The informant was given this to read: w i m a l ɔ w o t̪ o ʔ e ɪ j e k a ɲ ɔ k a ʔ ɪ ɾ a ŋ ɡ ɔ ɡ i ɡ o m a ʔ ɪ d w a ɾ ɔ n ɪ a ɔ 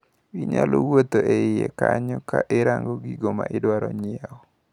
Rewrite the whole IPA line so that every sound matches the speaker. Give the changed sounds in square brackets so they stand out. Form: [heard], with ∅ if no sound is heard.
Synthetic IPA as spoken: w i [ɲ] a l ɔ w o t̪ o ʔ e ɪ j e k a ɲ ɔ k a ʔ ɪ ɾ a ŋ ɡ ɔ ɡ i ɡ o m a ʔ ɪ d w a ɾ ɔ [ɲ] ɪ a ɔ